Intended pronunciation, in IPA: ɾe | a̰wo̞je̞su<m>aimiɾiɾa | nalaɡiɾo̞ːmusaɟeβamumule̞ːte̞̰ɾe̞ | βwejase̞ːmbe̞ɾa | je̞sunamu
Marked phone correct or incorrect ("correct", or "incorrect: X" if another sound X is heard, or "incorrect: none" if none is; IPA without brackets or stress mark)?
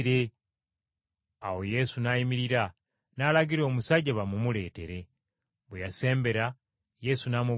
incorrect: n